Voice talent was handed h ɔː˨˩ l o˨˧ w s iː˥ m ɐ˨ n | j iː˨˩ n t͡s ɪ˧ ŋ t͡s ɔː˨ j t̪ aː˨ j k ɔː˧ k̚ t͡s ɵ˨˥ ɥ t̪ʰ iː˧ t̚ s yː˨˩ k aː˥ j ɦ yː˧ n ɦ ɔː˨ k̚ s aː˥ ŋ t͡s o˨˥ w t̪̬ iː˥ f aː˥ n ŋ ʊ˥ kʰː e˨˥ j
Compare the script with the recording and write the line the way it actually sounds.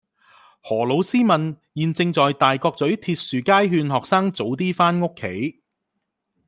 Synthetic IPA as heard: h ɔː˨˩ l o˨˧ w s iː˥ m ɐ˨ n | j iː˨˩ n t͡s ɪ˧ ŋ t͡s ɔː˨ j t̪ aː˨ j k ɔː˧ k̚ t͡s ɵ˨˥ ɥ t̪ʰ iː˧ t̚ s yː˨˩ k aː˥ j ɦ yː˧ n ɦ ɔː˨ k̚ s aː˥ ŋ t͡s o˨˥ w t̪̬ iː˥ f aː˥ n ŋ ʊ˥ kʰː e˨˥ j